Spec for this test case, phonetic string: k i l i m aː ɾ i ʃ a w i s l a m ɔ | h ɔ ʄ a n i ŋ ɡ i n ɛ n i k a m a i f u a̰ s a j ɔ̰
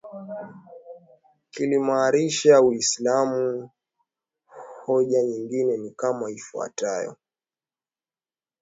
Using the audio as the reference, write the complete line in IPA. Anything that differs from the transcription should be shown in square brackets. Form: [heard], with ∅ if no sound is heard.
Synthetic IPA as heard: k i l i m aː ɾ i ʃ a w i s l a m [u] | h ɔ ʄ a [ɲ] i ŋ ɡ i n ɛ n i k a m a i f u a̰ [t] a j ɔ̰